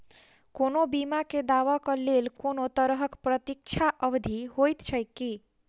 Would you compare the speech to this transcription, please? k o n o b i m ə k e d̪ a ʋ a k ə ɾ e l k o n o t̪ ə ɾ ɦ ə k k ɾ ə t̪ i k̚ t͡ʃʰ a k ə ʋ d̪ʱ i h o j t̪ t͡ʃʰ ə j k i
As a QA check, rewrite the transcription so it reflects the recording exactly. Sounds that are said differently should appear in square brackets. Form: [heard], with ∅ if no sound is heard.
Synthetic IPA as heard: k o n o b i m [a] k e d̪ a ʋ a k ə [l] e l k o n o t̪ ə ɾ ɦ ə k [p] ɾ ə t̪ i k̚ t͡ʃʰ a [ʔ] ə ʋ d̪ʱ i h o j t̪ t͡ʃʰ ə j k i